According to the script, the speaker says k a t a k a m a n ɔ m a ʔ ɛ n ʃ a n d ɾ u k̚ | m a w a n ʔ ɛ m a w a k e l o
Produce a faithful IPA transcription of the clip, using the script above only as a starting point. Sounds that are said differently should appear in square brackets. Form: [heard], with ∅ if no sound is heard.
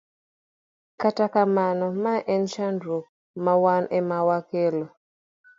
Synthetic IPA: k a t a k a m a n ɔ m a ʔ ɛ n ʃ a n d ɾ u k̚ | m a w a n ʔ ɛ m a w a k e l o